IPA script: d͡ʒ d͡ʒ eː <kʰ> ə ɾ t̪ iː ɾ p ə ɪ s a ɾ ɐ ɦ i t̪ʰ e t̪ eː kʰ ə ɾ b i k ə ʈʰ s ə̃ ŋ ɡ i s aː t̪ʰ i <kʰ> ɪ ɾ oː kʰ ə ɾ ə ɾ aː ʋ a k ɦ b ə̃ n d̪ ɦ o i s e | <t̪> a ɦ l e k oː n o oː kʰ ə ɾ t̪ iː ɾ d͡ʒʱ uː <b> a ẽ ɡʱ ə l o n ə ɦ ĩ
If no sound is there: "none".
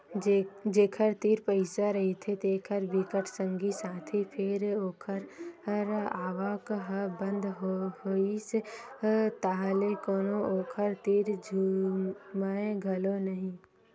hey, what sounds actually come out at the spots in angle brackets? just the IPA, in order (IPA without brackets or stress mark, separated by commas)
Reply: kʰ, pʰ, t̪, m